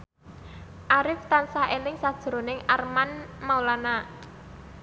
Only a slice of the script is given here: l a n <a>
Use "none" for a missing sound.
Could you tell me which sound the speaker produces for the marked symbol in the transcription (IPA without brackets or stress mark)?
a